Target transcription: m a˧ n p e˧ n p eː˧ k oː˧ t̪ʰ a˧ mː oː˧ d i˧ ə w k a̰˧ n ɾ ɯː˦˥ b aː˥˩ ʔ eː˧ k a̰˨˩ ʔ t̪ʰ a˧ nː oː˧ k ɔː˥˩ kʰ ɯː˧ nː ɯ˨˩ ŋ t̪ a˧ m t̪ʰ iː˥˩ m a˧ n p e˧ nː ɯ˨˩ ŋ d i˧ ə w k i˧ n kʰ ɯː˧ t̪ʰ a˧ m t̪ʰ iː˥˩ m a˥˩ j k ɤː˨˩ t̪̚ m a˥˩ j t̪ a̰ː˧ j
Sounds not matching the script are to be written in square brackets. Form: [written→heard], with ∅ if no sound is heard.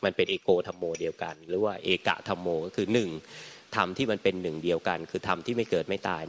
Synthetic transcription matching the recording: m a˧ n p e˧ n [p→ʔ] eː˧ k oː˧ t̪ʰ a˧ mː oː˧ d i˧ ə w k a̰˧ n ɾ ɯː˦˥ [b→w] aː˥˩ ʔ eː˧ k a̰˨˩ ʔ t̪ʰ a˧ [nː→mː] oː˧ k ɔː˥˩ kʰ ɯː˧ [nː→n] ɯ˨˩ ŋ [t̪→t̪ʰ] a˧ m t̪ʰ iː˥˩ m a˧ n p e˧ nː ɯ˨˩ ŋ d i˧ ə w k [i˧→a˧] n kʰ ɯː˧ t̪ʰ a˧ m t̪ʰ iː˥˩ m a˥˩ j k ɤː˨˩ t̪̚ m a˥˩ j t̪ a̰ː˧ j